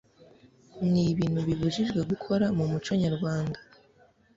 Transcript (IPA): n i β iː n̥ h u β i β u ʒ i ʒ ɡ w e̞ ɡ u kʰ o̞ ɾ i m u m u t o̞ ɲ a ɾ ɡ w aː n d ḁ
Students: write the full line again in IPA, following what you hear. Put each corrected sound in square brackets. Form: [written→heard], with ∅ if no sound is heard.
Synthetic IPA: n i β iː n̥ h u β i β u ʒ i ʒ ɡ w e̞ ɡ u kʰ o̞ ɾ [i→a] m u m u [t→t͡ʃ] o̞ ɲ a ɾ ɡ w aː n d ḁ